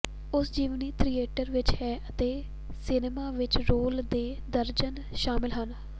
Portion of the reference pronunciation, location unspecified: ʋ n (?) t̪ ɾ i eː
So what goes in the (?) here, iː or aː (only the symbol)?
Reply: iː